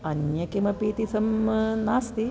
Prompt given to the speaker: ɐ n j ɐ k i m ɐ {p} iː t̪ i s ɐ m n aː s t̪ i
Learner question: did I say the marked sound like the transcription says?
yes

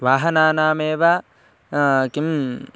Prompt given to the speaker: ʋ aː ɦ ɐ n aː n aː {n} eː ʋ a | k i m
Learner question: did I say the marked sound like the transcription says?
no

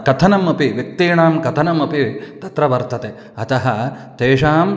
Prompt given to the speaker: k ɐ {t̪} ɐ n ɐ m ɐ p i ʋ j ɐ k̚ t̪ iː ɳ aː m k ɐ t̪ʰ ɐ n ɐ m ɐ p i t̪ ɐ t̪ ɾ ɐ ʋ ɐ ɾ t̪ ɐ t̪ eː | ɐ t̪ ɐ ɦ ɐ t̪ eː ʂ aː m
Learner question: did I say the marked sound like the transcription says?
no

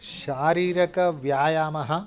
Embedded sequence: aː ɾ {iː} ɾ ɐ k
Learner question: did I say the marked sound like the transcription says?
yes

